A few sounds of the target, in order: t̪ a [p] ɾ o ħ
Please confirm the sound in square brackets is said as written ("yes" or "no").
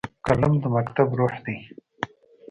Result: no